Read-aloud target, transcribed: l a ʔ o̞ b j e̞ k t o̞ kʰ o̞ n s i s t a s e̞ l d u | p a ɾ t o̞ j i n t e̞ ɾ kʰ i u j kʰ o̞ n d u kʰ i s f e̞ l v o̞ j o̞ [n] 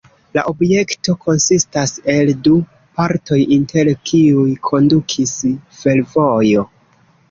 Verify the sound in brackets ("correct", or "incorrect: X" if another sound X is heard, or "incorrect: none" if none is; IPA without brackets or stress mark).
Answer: incorrect: none